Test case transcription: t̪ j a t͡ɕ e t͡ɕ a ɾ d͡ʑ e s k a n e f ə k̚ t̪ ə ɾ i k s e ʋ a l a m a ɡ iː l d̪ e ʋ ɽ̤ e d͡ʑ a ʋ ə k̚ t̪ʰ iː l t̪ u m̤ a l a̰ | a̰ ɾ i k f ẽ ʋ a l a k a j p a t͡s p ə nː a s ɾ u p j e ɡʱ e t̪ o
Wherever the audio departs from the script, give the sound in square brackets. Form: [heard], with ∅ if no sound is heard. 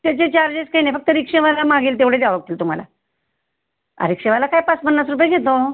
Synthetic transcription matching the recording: t̪ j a t͡ɕ e t͡ɕ a ɾ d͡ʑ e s k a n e f ə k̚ t̪ ə ɾ i k [ʂ] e ʋ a l a m a ɡ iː l [t̪] e ʋ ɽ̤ e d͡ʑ a ʋ ə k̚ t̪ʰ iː l t̪ u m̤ a l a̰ | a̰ ɾ i k [ʂ] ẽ ʋ a l a k a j p a t͡s p ə nː a s ɾ u p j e ɡʱ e t̪ o